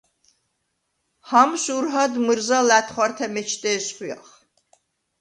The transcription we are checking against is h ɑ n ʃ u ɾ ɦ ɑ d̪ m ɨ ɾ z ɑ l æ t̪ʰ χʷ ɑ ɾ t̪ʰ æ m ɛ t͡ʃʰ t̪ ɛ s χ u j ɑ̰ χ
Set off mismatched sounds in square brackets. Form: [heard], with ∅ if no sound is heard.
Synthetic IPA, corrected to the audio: h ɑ [m] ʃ u ɾ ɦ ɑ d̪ m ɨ ɾ z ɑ l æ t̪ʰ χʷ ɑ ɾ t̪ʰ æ m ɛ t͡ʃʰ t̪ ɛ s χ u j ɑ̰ χ